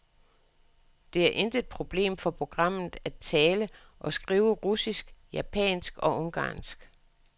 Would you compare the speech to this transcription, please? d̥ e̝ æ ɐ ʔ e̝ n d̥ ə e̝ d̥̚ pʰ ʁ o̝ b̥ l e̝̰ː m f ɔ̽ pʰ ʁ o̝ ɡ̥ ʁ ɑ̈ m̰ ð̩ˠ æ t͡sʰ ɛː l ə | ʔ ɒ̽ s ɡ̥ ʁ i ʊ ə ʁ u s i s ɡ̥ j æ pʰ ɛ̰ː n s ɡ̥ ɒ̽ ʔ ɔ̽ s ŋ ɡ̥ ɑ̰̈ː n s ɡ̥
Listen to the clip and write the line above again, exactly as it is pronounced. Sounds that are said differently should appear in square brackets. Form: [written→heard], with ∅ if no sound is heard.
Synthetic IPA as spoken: d̥ e̝ æ ɐ ʔ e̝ n d̥ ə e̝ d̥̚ pʰ ʁ o̝ b̥ l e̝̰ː m f [ɔ̽→ɒ̽] pʰ ʁ o̝ ɡ̥ ʁ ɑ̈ m̰ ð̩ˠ æ t͡sʰ ɛː l ə | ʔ ɒ̽ s ɡ̥ ʁ [i→iː] ʊ ə ʁ u s i s ɡ̥ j æ pʰ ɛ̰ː n s ɡ̥ ɒ̽ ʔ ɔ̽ [s→∅] ŋ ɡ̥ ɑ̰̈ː n s ɡ̥